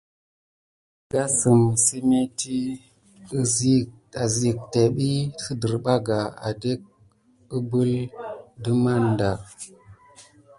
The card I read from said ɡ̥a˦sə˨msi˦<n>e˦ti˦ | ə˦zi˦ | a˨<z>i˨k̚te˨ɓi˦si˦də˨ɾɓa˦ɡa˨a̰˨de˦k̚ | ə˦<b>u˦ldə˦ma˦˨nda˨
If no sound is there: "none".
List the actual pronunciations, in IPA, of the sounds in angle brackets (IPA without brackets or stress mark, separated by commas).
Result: m, z, b